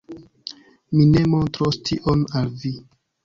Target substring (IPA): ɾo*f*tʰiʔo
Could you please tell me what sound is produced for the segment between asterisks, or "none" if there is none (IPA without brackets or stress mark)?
s